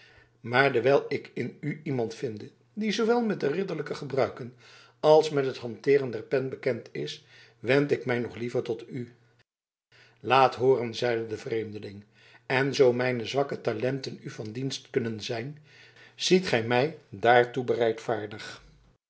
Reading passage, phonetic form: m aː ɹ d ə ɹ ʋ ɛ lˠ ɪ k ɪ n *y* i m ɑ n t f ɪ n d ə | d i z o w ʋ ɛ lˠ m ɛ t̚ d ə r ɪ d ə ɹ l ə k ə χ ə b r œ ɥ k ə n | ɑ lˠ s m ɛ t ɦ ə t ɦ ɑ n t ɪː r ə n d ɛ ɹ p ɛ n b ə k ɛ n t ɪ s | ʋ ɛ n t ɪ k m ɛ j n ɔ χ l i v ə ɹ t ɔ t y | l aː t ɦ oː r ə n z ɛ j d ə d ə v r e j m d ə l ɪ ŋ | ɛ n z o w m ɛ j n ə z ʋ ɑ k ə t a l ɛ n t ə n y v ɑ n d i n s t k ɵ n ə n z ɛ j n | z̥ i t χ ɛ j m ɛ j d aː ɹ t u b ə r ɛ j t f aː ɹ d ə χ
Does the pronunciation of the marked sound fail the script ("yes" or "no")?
no